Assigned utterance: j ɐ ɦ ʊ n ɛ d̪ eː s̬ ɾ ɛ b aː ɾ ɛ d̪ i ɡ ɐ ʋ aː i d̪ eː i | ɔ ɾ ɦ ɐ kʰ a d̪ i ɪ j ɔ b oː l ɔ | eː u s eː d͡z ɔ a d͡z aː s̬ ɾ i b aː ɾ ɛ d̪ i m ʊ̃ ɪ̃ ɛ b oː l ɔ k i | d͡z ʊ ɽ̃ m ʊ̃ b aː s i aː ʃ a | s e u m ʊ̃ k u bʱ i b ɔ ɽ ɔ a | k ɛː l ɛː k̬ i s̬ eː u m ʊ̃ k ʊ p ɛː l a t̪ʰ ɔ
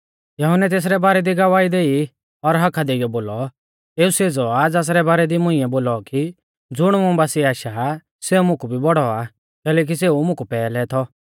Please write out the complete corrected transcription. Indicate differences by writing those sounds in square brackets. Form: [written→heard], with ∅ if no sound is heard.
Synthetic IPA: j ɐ ɦ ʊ n ɛ [d̪→t̪] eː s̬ ɾ ɛ b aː ɾ ɛ d̪ i ɡ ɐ ʋ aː i d̪ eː i | ɔ ɾ ɦ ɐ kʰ a d̪ [i→e] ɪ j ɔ b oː l ɔ | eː u s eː d͡z ɔ a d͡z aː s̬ ɾ [i→ɛ] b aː ɾ ɛ d̪ i m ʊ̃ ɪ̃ ɛ b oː l ɔ k i | d͡z ʊ ɽ̃ m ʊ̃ b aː s i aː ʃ a | s e u m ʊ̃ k u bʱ i b ɔ ɽ ɔ a | k ɛː l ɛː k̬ i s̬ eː u m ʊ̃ k [ʊ→u] p ɛː l [a→ɛ] t̪ʰ ɔ